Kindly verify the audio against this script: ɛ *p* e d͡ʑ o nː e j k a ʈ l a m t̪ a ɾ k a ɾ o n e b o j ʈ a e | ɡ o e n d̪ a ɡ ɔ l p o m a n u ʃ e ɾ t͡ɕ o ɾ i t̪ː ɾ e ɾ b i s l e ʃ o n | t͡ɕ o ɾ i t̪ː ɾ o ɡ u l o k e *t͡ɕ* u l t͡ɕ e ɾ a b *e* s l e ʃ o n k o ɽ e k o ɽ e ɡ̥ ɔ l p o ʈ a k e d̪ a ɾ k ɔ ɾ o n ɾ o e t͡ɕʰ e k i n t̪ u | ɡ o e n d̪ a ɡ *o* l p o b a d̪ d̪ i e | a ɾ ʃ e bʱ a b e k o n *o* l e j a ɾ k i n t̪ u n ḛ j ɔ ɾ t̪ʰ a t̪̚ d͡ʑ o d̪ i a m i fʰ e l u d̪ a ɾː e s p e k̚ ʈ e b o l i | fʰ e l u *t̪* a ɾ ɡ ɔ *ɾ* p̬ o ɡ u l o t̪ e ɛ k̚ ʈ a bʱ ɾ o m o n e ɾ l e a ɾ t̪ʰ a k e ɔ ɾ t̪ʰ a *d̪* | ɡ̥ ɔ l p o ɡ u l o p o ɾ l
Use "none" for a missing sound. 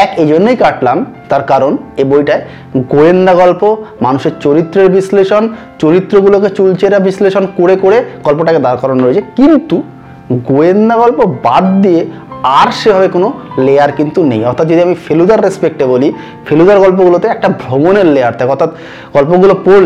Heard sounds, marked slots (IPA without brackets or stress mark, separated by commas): k, t͡ɕ, i, ɔ, o, d̪, l, t̪